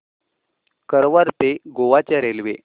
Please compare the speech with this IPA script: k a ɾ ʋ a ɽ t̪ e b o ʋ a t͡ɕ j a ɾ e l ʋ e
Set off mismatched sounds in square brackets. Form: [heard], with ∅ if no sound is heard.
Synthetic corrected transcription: k [ə] ɾ ʋ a [ɾ] t̪ e [ɡ] o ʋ a t͡ɕ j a ɾ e l ʋ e